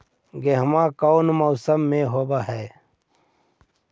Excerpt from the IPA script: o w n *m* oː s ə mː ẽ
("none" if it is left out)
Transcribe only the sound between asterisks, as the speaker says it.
m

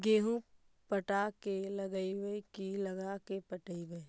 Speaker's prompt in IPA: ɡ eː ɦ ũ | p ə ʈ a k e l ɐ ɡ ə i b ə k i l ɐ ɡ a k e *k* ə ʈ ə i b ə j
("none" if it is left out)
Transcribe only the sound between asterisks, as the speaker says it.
p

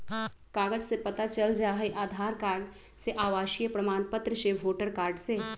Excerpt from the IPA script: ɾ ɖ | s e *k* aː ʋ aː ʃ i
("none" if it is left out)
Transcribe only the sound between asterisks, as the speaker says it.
ʔ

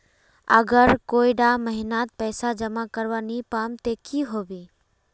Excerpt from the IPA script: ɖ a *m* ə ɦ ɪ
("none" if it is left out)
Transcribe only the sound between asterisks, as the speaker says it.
m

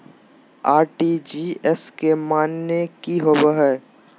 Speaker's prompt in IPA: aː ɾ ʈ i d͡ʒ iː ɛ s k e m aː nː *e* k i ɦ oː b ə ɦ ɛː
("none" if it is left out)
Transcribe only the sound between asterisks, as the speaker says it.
e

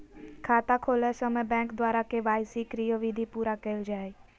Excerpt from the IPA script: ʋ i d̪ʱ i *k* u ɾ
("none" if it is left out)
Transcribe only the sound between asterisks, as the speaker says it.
p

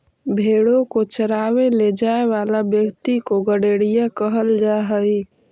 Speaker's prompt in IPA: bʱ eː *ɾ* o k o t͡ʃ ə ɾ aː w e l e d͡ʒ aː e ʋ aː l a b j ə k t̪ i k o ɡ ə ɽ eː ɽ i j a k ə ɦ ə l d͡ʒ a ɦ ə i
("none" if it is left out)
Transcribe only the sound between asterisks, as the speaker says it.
ɽ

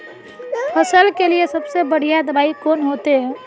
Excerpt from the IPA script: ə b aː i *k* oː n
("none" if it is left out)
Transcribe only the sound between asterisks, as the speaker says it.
k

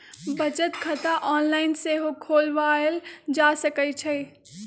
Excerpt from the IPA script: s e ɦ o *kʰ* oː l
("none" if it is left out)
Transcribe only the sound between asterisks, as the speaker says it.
kʰ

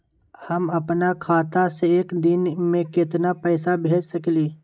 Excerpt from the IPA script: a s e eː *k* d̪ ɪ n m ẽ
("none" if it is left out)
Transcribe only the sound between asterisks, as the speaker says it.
k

